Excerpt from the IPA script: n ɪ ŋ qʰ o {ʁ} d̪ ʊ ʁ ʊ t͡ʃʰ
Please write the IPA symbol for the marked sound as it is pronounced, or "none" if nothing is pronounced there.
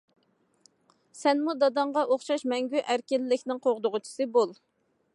ʁ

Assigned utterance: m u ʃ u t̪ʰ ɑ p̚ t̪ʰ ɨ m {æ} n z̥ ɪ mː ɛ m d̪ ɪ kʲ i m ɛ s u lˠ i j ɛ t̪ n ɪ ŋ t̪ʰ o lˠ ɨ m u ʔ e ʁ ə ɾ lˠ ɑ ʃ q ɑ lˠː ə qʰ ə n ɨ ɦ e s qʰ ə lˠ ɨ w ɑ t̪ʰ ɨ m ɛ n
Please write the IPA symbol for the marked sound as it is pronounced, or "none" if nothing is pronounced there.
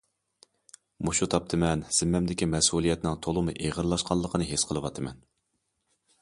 ɛ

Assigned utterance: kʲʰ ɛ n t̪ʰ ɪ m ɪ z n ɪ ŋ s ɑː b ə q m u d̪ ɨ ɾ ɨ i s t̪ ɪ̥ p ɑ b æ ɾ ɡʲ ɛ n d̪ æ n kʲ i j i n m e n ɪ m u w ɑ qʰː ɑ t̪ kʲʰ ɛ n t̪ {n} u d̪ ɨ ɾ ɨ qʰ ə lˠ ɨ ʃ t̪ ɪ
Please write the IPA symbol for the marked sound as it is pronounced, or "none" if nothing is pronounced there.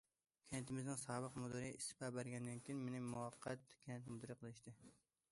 m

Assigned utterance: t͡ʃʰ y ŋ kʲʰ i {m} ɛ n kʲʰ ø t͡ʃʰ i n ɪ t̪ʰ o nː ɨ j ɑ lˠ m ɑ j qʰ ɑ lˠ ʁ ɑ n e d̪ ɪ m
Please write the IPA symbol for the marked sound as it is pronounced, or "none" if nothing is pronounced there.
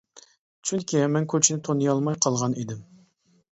m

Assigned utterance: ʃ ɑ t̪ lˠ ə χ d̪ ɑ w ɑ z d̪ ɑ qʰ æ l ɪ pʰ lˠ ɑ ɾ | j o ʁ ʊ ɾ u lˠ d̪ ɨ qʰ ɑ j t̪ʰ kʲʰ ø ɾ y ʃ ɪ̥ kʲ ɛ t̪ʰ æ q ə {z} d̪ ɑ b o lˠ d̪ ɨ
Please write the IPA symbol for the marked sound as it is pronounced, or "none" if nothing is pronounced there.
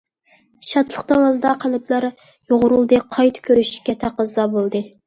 z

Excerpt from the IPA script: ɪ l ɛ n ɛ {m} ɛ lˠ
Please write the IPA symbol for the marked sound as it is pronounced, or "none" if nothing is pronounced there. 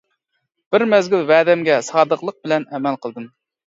m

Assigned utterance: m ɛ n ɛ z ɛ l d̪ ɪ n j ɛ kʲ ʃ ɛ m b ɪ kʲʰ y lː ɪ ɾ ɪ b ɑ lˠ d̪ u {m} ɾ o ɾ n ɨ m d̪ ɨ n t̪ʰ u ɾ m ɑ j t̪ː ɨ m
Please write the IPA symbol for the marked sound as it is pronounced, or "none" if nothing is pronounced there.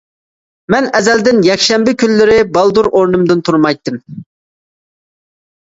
none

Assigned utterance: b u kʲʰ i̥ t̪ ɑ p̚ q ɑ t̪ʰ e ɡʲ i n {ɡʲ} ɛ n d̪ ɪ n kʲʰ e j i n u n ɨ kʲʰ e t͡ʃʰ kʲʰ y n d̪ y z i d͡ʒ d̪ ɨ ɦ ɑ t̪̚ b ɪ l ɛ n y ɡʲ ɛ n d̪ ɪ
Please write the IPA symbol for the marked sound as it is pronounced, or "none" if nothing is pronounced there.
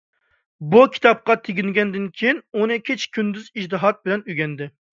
ɡʲ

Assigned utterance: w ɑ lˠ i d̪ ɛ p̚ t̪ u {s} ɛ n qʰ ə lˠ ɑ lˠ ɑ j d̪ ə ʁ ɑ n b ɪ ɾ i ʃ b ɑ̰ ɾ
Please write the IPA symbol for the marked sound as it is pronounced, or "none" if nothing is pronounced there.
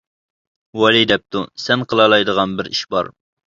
s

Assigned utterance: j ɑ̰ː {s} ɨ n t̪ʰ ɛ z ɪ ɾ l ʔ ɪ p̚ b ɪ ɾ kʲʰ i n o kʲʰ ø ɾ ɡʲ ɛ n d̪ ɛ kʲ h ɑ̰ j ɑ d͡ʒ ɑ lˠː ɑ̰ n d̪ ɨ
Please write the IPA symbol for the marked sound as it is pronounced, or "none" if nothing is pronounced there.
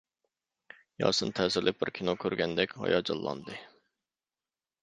s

